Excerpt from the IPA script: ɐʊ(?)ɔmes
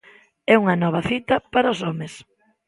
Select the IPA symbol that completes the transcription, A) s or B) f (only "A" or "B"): A